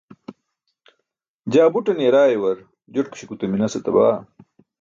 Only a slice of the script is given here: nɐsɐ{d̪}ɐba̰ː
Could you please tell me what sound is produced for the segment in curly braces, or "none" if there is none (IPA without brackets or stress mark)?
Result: t̪